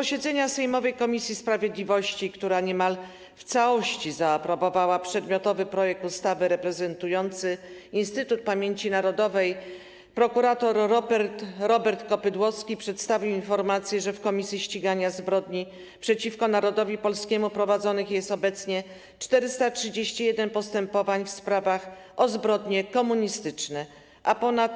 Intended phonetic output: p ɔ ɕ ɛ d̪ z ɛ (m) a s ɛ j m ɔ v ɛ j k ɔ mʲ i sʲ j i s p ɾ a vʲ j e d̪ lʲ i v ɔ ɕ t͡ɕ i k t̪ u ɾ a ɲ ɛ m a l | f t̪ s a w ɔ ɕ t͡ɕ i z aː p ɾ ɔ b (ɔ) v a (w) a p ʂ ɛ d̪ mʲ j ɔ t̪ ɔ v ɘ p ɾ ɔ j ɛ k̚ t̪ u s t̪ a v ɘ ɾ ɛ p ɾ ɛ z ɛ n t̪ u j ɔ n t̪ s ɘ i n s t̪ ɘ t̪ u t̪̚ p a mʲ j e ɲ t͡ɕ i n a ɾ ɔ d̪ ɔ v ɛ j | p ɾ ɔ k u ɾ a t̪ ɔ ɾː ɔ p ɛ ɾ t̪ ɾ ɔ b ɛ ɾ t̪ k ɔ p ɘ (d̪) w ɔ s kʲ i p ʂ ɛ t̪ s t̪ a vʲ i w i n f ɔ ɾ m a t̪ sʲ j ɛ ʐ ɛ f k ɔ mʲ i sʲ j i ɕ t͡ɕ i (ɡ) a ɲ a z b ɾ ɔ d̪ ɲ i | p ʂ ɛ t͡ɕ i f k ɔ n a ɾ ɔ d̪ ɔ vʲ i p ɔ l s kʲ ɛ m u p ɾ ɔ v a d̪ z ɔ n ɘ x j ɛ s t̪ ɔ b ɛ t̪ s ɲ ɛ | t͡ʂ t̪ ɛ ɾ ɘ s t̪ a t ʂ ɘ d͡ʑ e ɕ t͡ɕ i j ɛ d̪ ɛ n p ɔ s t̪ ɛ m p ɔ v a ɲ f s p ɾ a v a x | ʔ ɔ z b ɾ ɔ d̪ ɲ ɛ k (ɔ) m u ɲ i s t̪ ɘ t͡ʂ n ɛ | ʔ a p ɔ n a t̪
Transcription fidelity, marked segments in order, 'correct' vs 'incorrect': incorrect, correct, correct, correct, correct, correct

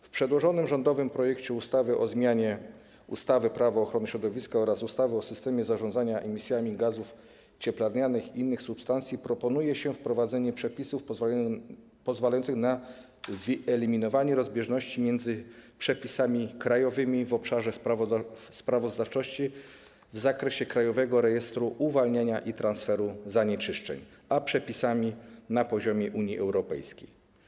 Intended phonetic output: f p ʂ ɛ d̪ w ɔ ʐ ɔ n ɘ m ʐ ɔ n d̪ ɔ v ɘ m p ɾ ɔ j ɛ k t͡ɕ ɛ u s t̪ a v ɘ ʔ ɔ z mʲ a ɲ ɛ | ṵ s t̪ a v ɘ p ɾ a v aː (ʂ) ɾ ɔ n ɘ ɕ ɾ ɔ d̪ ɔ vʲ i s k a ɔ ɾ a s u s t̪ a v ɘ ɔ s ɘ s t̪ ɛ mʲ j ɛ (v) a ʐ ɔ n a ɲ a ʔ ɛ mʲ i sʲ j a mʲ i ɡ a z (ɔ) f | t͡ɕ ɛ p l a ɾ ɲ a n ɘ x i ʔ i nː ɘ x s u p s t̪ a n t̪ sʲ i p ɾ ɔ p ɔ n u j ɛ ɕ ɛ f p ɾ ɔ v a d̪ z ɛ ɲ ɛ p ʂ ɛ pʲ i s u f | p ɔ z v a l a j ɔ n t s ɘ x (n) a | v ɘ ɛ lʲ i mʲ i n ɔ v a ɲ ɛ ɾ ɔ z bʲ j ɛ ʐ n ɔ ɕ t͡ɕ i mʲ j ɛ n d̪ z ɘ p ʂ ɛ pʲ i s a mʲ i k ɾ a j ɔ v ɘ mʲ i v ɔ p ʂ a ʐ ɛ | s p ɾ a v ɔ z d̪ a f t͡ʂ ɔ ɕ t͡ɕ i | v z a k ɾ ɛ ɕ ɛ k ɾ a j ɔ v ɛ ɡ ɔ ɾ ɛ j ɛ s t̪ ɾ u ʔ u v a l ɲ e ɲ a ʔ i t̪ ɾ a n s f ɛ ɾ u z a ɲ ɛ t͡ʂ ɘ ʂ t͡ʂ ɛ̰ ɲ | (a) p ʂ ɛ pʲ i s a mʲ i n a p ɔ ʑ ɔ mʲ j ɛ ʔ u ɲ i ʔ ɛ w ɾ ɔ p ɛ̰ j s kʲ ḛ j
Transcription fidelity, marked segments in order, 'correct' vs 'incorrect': incorrect, incorrect, incorrect, correct, correct

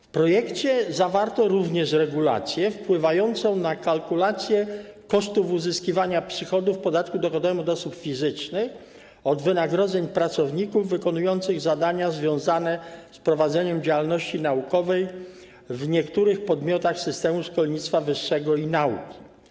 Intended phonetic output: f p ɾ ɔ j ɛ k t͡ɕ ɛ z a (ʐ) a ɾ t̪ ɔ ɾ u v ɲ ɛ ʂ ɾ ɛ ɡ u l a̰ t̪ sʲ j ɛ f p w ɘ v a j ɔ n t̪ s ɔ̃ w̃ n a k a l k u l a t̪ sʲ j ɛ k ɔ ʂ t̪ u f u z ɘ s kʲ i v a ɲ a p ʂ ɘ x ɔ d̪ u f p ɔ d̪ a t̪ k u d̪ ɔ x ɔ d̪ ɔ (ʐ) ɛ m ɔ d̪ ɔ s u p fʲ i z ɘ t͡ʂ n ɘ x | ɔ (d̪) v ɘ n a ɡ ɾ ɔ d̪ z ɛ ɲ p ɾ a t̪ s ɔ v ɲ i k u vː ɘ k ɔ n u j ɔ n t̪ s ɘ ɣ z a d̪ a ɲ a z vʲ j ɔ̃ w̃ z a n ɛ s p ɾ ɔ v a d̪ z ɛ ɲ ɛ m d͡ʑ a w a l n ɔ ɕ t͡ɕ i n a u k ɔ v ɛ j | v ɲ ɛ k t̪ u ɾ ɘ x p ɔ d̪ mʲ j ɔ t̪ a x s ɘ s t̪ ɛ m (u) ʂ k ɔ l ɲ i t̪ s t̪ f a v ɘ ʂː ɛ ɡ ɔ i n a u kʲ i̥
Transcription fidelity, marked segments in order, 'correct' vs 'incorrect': incorrect, incorrect, correct, correct

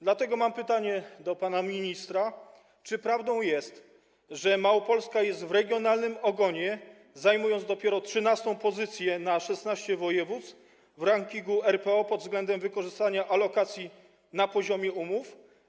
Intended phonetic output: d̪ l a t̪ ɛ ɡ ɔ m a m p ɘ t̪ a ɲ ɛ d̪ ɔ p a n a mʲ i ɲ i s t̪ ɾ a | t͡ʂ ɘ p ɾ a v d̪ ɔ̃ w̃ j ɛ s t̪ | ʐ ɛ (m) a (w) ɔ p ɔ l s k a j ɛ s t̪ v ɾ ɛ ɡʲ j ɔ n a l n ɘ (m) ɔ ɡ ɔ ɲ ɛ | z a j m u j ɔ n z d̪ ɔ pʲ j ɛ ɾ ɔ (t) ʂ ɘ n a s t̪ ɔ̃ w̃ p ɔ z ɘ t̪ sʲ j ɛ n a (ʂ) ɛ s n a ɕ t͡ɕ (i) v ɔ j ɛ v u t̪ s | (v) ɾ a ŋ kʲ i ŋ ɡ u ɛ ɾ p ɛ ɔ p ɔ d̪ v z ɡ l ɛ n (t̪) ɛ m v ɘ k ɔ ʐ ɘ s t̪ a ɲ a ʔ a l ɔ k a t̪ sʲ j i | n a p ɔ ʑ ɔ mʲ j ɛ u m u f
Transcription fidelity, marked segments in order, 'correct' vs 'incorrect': correct, correct, correct, correct, correct, incorrect, correct, incorrect

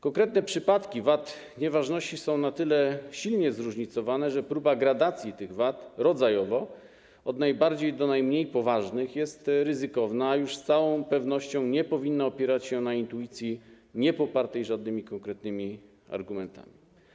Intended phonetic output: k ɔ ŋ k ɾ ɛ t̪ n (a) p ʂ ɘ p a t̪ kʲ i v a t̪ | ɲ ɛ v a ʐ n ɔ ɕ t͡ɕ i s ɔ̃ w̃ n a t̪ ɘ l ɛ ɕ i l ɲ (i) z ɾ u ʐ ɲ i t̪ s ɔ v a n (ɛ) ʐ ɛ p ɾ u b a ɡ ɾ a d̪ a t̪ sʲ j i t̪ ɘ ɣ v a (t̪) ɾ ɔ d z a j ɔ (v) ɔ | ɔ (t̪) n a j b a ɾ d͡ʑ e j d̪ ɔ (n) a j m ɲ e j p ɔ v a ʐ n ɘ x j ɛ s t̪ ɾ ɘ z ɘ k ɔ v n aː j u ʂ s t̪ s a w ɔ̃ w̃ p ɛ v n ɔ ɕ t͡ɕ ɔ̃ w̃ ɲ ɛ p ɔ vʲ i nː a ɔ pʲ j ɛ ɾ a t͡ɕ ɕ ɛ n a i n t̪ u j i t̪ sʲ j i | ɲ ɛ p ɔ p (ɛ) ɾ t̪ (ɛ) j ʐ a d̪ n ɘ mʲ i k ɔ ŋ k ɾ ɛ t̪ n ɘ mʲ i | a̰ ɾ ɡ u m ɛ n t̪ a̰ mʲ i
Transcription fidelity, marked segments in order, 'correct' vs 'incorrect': incorrect, incorrect, correct, correct, correct, incorrect, correct, incorrect, correct

